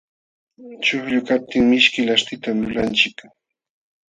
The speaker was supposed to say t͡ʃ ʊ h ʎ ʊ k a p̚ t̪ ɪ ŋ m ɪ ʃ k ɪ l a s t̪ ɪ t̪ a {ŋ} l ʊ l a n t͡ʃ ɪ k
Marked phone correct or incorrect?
incorrect